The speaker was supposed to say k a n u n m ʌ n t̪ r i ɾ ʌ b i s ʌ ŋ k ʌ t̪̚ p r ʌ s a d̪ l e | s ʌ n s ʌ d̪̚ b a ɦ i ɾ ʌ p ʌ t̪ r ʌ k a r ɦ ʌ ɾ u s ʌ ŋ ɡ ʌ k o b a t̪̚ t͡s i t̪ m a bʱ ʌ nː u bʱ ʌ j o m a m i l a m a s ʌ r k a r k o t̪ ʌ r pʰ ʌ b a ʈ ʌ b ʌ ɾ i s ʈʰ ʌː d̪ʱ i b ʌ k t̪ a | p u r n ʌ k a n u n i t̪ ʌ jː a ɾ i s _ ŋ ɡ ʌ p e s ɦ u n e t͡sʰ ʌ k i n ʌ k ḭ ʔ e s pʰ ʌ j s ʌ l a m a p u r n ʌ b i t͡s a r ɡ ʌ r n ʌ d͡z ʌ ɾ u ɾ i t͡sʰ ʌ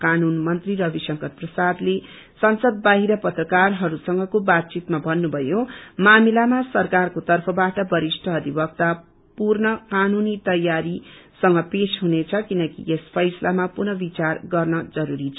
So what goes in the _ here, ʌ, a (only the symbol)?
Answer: ʌ